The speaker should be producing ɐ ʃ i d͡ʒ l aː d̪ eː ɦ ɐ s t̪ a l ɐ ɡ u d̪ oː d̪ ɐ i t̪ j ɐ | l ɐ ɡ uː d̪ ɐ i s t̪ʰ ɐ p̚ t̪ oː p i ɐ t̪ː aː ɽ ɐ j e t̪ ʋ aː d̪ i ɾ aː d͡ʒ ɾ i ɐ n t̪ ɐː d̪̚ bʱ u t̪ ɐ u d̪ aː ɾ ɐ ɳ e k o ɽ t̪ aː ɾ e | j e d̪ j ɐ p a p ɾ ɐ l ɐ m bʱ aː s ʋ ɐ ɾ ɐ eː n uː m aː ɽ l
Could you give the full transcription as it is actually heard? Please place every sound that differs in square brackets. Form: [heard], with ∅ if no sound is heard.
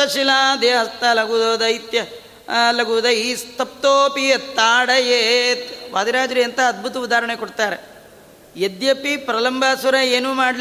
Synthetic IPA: ɐ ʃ i [∅] l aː d̪ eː ɦ ɐ s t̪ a l ɐ ɡ u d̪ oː d̪ ɐ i t̪ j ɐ | l ɐ ɡ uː d̪ ɐ i s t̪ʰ ɐ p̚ t̪ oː p i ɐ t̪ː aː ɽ ɐ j e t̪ ʋ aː d̪ i ɾ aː d͡ʒ ɾ i ɐ n t̪ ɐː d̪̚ bʱ u t̪ ɐ u d̪ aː ɾ ɐ ɳ e k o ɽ t̪ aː ɾ e | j e d̪ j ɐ p [i] p ɾ ɐ l ɐ m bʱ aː s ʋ ɐ ɾ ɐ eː n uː m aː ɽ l